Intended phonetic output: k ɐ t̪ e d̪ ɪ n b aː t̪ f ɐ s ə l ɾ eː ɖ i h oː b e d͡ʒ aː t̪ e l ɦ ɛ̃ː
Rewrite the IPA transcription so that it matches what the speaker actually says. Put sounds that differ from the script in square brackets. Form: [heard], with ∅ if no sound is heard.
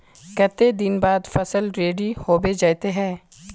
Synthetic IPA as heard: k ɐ t̪ e d̪ ɪ n b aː [d̪] f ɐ s ə l ɾ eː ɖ i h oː b e d͡ʒ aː t̪ e [∅] ɦ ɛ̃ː